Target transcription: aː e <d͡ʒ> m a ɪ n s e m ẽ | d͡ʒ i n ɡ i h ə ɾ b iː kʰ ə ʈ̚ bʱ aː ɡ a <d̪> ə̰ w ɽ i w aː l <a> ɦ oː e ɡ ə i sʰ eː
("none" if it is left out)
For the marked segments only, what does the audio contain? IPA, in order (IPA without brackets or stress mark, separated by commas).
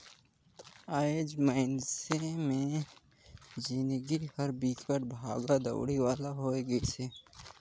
d͡ʒ, d̪, a